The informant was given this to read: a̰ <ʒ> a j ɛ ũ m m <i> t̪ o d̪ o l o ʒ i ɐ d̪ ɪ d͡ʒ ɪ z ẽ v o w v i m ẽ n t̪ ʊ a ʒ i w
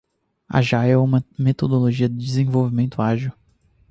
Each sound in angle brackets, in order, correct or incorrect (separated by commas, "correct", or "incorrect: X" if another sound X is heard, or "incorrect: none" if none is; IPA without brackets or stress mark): correct, incorrect: e